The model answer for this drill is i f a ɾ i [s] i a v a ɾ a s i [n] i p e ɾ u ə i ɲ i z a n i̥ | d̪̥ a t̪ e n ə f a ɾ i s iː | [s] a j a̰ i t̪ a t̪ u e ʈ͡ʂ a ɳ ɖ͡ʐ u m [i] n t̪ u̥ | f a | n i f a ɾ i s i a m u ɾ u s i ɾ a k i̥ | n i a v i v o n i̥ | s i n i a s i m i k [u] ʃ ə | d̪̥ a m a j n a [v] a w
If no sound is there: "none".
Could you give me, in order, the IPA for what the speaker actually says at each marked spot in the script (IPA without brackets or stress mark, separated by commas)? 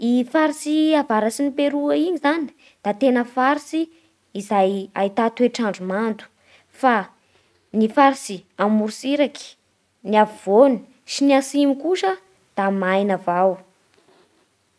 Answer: s, n, z, a, u, v